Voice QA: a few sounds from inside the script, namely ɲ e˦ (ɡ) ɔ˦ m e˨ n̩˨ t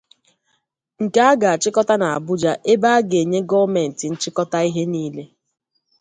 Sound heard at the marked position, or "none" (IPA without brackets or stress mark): ɡ